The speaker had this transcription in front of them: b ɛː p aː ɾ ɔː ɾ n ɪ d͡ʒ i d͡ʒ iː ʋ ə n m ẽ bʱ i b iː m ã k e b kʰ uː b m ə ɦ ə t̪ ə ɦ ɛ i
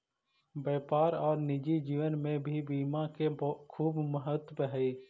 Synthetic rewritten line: b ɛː p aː ɾ ɔː ɾ n ɪ d͡ʒ i d͡ʒ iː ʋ ə n m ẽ bʱ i b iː m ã k e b kʰ uː b m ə ɦ ə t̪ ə ɦ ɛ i